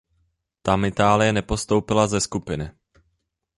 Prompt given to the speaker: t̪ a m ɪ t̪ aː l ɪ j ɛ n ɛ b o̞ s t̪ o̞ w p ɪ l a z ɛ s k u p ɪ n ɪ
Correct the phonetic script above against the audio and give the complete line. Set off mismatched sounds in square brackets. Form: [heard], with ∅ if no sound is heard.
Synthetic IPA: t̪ a m ɪ t̪ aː l ɪ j ɛ n ɛ [p] o̞ s t̪ o̞ w p ɪ l a z ɛ s k u p ɪ n ɪ